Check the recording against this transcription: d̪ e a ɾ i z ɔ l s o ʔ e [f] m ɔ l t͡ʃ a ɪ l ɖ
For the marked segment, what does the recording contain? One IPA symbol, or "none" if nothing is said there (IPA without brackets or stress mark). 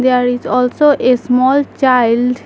s